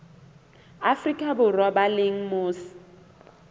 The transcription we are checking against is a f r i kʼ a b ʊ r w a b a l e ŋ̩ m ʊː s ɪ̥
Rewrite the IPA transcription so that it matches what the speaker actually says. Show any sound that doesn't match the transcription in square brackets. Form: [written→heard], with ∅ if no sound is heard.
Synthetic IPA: a f r i kʼ a b ʊ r w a b a l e ŋ̩ m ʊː s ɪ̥